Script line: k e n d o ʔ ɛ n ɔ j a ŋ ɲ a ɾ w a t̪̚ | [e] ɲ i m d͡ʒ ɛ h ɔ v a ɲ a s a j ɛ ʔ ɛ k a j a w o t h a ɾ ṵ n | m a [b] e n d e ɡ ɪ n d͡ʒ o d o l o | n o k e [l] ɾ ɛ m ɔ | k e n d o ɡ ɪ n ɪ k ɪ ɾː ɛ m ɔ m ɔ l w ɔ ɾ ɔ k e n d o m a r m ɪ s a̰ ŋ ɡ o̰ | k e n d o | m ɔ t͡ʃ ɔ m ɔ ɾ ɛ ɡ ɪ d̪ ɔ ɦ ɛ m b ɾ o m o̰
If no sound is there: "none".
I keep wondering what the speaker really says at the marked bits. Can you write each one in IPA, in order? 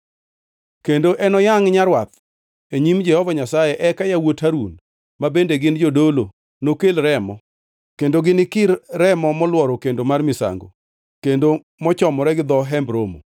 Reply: e, b, l

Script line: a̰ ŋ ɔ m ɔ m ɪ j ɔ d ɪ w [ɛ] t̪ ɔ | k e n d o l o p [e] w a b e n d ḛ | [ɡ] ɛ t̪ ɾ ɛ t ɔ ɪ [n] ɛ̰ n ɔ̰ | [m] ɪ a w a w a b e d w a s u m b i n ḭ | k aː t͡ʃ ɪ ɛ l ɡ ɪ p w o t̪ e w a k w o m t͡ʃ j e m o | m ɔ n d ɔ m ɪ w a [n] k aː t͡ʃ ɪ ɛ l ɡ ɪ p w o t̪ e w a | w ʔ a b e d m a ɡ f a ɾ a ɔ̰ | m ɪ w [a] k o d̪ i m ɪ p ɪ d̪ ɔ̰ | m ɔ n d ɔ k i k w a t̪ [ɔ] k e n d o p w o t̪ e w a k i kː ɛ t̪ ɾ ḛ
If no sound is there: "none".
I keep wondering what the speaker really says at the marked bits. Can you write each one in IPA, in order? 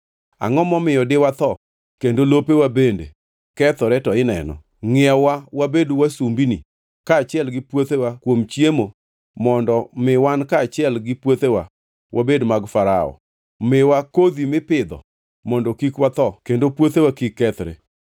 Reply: a, e, k, n, ŋ, n, a, ɔ

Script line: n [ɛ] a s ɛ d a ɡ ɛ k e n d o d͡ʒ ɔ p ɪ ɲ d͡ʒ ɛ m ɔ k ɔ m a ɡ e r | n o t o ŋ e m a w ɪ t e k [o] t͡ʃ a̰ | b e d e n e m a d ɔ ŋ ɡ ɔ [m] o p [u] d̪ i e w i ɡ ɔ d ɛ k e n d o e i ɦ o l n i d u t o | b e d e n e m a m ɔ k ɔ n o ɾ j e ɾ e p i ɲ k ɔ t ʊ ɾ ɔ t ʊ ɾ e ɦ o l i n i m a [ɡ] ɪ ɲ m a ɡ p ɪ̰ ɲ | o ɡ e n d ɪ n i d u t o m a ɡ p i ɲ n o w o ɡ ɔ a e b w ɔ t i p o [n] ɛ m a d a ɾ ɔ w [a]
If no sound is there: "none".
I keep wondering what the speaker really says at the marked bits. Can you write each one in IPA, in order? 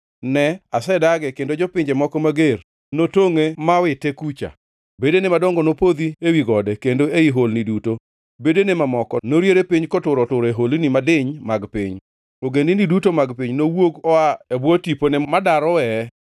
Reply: ɛ, u, n, o, d, n, ɛ

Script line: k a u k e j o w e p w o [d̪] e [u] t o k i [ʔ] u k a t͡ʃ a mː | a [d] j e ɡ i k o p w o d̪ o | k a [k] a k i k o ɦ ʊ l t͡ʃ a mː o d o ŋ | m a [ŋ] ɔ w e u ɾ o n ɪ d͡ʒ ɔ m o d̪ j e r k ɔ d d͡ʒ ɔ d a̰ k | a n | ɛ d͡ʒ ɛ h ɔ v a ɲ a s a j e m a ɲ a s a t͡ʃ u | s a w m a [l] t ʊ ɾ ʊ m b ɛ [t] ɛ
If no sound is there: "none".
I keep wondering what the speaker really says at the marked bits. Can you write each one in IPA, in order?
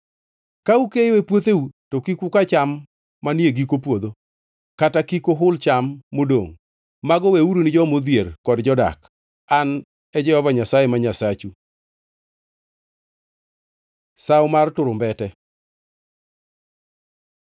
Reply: t̪, u, k, n, t, ɡ, r, t

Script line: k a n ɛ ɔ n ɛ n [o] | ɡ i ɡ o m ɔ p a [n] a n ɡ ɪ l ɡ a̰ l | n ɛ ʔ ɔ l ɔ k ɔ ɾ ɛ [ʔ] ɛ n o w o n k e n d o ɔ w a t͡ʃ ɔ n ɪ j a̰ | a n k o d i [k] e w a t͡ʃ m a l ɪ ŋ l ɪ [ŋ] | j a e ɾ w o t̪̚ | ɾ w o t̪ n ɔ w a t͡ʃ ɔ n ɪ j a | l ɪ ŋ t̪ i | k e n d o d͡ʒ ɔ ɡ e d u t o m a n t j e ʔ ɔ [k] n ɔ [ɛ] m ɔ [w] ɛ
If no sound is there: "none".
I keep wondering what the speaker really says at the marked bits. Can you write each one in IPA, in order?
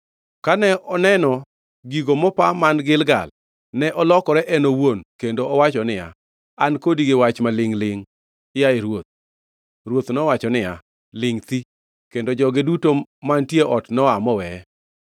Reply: ɔ, m, ʔ, ɡ, ŋ, t, a, w

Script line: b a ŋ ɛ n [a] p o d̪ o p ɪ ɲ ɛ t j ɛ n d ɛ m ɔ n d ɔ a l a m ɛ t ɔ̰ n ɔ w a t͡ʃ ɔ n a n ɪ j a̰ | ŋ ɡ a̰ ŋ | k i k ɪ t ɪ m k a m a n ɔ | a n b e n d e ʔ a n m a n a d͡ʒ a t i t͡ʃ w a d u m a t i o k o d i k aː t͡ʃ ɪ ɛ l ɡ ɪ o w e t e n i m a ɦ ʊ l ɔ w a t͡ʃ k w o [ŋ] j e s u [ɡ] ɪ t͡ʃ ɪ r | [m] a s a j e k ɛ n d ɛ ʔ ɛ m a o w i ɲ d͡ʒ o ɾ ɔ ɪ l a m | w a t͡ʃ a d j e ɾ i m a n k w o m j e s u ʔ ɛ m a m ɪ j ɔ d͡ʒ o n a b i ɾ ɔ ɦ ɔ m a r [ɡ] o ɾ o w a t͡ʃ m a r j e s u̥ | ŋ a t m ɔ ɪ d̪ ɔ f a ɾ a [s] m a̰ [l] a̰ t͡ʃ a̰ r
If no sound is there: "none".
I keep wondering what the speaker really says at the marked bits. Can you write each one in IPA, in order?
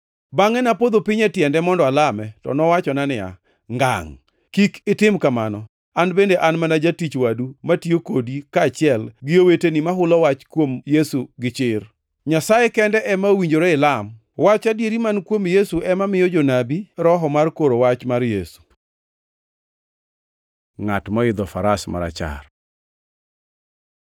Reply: a, m, ɡ, ɲ, k, s, ɾ

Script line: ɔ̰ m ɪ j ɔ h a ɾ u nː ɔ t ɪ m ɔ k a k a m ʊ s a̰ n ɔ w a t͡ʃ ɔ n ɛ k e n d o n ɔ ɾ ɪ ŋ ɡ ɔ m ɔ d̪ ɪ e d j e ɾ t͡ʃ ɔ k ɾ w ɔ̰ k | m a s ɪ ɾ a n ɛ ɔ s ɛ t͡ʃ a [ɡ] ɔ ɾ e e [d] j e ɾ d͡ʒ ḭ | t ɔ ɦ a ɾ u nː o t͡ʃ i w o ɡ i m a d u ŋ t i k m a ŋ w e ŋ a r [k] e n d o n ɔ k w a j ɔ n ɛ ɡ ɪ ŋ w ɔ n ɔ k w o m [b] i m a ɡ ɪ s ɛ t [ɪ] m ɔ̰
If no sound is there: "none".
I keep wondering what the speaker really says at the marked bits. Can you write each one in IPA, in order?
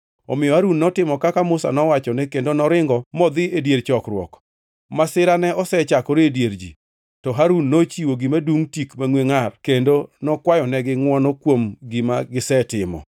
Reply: k, d, k, ɡ, ɪ

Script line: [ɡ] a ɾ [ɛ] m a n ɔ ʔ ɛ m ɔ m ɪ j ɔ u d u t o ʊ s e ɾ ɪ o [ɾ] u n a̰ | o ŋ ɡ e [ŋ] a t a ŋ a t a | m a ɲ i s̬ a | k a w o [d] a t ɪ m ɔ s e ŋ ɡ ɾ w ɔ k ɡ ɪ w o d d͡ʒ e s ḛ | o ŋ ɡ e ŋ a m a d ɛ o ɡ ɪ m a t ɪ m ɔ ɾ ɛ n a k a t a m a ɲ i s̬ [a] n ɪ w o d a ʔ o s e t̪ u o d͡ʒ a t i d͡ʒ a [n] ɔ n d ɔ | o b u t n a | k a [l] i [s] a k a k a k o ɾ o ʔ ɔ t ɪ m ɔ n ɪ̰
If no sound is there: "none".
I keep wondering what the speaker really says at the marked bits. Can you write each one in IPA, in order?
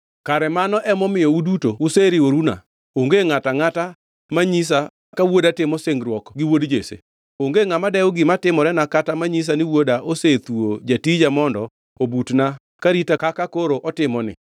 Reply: k, ɛ, ɾ, ŋ, d, a, m, ɾ, t

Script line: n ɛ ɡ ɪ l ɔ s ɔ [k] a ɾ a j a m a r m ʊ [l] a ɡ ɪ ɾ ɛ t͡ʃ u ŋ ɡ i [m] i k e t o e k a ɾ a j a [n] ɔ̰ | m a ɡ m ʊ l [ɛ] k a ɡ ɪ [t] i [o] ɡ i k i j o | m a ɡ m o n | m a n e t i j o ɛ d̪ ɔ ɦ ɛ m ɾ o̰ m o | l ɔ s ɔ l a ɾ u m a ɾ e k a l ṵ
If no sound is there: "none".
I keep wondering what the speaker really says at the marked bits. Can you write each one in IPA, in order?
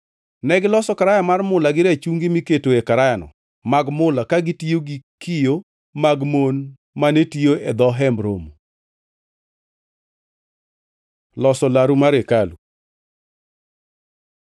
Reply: k, l, m, n, a, t, o

